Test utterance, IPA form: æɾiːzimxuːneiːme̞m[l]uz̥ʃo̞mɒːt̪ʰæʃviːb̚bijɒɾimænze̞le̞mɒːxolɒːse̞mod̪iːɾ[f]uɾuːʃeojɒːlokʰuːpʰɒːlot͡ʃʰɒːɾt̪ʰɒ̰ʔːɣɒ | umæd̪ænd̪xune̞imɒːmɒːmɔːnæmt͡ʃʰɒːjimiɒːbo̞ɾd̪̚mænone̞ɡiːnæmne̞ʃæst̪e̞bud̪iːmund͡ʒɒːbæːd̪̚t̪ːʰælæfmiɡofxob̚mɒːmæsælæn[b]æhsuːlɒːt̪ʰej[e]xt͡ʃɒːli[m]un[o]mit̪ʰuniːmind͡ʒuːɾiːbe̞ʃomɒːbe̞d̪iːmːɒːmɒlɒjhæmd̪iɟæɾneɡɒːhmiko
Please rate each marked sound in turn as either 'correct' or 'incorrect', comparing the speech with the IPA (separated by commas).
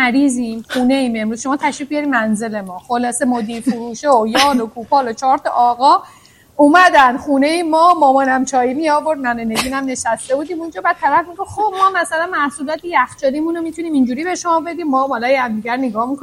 incorrect, correct, incorrect, incorrect, correct, correct